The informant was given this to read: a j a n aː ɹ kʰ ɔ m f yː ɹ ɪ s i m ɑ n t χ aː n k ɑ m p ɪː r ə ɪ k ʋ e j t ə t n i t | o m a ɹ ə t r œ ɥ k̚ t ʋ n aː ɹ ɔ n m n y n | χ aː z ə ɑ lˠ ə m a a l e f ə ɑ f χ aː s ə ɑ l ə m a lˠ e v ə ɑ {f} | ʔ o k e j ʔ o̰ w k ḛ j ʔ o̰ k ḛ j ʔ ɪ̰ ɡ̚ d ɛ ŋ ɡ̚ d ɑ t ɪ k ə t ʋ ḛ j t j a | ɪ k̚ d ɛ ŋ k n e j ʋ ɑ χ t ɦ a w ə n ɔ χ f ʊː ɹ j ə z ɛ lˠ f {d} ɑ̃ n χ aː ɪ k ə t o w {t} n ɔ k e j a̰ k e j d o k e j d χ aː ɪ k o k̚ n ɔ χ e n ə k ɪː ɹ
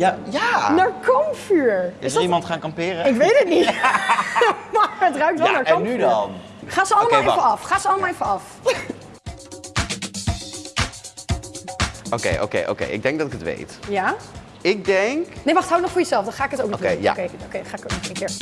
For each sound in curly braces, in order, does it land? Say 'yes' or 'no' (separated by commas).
yes, yes, no